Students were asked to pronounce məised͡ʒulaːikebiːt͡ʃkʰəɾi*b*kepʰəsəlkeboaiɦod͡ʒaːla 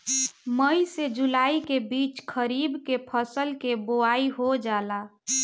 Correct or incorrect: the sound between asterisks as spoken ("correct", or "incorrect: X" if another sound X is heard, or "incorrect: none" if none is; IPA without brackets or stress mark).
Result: correct